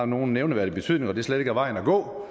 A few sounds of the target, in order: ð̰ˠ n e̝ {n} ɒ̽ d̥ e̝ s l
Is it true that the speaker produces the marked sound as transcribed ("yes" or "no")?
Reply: no